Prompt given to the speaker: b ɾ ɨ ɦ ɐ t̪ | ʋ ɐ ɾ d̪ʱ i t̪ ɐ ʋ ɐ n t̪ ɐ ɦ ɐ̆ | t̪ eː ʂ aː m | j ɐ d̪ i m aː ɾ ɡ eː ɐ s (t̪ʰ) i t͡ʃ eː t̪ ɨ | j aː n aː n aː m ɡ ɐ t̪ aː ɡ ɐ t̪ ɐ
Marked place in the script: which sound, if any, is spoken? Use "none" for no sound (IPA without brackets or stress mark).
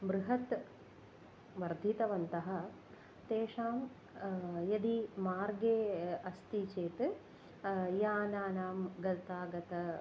t̪